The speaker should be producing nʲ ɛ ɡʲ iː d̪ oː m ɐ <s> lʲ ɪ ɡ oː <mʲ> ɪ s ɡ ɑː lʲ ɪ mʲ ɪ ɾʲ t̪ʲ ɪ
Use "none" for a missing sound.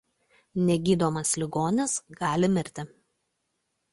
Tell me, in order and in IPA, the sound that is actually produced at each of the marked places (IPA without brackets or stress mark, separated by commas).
s, nʲ